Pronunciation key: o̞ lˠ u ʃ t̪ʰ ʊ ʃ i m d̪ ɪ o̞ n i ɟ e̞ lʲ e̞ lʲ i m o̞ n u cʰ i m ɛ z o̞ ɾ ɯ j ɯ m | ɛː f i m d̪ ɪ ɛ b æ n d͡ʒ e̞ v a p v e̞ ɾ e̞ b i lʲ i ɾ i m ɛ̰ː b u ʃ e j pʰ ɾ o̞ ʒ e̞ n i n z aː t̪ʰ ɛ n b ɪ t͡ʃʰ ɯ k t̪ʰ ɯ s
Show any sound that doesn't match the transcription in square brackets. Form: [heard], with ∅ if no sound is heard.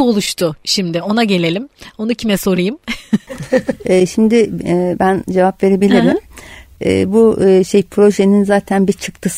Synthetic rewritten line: o̞ lˠ u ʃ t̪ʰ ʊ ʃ i m d̪ ɪ o̞ n [a] ɟ e̞ lʲ e̞ lʲ i m o̞ n u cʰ i m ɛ [s] o̞ ɾ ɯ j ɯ m | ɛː [ʃ] i m d̪ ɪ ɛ b æ n d͡ʒ e̞ v a p v e̞ ɾ e̞ b i lʲ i ɾ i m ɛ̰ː b u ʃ e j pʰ ɾ o̞ ʒ e̞ n i n z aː t̪ʰ [æ] n b [i] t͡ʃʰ ɯ k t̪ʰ ɯ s